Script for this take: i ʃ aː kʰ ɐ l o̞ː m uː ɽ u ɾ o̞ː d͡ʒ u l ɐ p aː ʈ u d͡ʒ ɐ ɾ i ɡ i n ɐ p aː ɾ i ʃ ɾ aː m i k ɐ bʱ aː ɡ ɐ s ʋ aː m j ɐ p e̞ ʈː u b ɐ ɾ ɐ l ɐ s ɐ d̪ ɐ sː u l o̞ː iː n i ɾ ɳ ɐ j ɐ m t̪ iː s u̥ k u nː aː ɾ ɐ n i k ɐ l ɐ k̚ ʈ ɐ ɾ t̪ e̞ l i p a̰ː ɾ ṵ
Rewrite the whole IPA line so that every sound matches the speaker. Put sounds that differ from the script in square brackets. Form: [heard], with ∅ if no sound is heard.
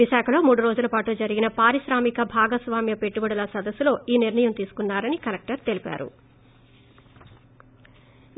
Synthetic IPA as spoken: i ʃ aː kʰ ɐ l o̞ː m uː ɽ u ɾ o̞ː d͡ʒ u l ɐ p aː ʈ u d͡ʒ ɐ ɾ i ɡ i n ɐ p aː ɾ i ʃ ɾ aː m i k ɐ bʱ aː ɡ ɐ s ʋ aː m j ɐ p e̞ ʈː u b ɐ [ɽ] ɐ l ɐ s ɐ d̪ ɐ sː u l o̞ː iː n i ɾ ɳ ɐ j ɐ m t̪ iː s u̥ k u nː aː ɾ ɐ n i k ɐ l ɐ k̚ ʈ ɐ ɾ t̪ e̞ l i p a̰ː ɾ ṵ

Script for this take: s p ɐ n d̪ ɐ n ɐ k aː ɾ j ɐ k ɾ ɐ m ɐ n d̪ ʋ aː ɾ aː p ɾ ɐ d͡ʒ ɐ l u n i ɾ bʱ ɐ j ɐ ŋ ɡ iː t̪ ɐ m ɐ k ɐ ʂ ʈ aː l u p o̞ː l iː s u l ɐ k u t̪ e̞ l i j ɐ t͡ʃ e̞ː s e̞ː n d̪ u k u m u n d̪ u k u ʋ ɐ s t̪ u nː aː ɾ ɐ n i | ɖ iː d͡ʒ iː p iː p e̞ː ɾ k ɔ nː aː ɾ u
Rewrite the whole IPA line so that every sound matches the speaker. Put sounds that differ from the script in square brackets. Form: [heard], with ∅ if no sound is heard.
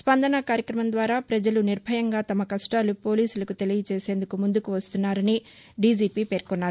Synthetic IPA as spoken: s p ɐ n d̪ ɐ n ɐ k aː ɾ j ɐ k ɾ ɐ m ɐ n d̪ ʋ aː ɾ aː p ɾ ɐ d͡ʒ ɐ l u n i ɾ bʱ ɐ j ɐ ŋ ɡ [aː] t̪ ɐ m ɐ k ɐ ʂ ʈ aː l u p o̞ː l iː s u l ɐ k u t̪ e̞ l i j ɐ t͡ʃ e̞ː s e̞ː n d̪ u k u m u n d̪ u k u ʋ ɐ s t̪ u nː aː ɾ ɐ n i | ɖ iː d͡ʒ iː p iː p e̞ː ɾ k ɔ nː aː ɾ u

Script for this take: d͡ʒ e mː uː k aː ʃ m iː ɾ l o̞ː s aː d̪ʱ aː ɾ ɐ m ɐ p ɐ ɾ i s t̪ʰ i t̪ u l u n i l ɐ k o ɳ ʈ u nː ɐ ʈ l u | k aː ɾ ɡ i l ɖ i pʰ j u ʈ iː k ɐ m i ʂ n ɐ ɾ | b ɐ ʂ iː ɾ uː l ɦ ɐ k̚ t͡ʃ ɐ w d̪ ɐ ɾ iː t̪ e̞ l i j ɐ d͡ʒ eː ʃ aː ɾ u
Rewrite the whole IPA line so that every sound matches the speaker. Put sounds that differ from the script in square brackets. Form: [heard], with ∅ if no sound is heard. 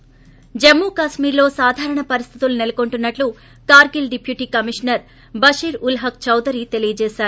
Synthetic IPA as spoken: d͡ʒ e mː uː k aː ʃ m iː ɾ l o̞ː s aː d̪ʱ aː ɾ ɐ [ɳ] ɐ p ɐ ɾ i s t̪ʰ i t̪ u l u n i l ɐ k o ɳ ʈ u nː ɐ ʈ l u | k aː ɾ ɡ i l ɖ i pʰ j u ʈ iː k ɐ m i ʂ n ɐ ɾ | b ɐ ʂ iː ɾ [u] l ɦ ɐ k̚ t͡ʃ ɐ w d̪ ɐ ɾ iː t̪ e̞ l i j ɐ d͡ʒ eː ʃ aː ɾ u

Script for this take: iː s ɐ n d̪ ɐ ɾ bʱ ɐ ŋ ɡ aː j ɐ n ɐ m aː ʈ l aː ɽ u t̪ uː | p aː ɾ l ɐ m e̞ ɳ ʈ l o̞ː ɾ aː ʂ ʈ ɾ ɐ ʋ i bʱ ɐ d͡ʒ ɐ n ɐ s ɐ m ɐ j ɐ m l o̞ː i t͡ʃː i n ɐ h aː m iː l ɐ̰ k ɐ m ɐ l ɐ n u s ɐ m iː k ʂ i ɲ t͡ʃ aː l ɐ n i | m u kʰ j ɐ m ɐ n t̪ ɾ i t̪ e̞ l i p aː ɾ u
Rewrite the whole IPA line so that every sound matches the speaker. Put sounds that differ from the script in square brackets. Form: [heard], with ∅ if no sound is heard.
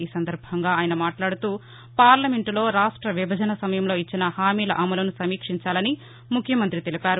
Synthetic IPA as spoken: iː s ɐ n d̪ ɐ ɾ bʱ ɐ ŋ ɡ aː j ɐ n ɐ m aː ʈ l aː ɽ u t̪ uː | p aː ɾ l ɐ m e̞ ɳ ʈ l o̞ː ɾ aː ʂ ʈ ɾ ɐ ʋ i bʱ ɐ d͡ʒ ɐ n ɐ s ɐ m ɐ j ɐ m l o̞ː i t͡ʃː i n ɐ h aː m iː l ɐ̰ [ʔ] ɐ m ɐ l ɐ n u s ɐ m iː k ʂ i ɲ t͡ʃ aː l ɐ n i | m u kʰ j ɐ m ɐ n t̪ ɾ i t̪ e̞ l i p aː ɾ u

